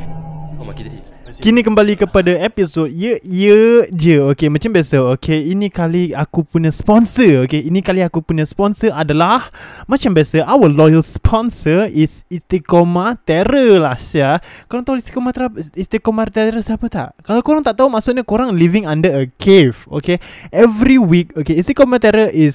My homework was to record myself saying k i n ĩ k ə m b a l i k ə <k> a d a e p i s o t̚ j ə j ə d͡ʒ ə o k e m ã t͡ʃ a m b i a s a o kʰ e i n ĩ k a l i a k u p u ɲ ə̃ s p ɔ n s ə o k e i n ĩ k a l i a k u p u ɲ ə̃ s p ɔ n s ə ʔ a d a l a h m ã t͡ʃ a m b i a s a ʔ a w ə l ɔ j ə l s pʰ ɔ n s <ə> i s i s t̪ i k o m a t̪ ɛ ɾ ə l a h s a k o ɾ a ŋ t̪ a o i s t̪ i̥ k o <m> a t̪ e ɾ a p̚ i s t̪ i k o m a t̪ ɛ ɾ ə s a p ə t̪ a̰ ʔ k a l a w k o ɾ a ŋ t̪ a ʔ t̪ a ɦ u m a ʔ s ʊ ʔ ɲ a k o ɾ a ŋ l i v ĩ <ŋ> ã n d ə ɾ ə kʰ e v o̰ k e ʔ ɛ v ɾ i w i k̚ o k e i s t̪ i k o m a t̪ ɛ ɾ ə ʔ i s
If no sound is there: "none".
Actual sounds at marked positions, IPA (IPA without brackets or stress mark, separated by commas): p, ə, m, ŋ